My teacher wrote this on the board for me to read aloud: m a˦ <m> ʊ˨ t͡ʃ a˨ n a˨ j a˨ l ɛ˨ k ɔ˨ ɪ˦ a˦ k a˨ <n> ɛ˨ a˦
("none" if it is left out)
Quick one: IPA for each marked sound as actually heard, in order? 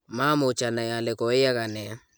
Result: m, n

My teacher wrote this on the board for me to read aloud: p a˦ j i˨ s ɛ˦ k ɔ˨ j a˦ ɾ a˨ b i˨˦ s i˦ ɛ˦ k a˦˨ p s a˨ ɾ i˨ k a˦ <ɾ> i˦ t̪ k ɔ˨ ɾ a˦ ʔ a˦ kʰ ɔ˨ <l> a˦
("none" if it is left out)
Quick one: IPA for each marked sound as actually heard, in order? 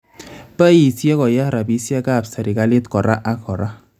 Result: l, ɾ

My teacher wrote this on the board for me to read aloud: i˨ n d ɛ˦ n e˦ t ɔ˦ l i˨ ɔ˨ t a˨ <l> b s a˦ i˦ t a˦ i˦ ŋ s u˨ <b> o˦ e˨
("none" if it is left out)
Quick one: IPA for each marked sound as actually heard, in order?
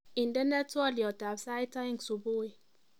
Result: none, b

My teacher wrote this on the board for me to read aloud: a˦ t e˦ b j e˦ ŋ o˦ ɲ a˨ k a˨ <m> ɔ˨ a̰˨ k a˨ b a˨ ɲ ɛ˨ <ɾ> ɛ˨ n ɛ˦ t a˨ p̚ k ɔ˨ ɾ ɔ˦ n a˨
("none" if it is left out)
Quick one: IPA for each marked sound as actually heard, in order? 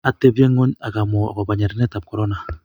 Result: m, ɾ

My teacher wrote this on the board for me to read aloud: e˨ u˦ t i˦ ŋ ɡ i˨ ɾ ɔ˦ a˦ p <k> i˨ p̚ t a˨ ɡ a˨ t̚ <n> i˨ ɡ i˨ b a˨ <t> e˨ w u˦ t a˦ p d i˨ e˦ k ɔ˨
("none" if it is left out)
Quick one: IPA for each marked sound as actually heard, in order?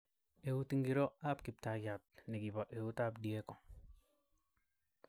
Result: k, n, ʔ

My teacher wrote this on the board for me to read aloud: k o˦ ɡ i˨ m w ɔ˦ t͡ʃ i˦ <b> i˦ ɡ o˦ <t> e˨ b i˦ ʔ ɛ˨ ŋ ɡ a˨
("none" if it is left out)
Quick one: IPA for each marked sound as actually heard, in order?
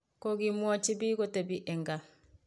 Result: b, t

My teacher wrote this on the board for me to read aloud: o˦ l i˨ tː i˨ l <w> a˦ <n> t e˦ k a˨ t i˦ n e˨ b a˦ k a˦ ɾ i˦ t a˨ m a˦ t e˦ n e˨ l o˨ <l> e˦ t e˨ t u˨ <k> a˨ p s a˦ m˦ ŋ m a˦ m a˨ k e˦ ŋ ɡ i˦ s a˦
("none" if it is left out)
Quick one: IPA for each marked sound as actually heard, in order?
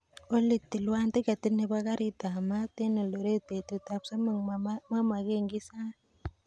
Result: w, n, ɾ, t

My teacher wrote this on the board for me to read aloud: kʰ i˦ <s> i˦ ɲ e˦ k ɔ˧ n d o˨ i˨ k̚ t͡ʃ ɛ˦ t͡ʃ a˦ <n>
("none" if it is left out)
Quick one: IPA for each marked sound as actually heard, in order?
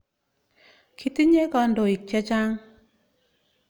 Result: t, ŋ

